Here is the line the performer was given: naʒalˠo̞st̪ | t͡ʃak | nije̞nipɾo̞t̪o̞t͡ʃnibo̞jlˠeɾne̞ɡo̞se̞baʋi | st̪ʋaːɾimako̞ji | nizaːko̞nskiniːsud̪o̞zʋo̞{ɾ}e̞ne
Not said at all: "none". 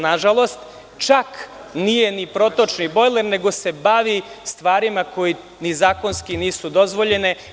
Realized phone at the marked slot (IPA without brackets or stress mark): ʎ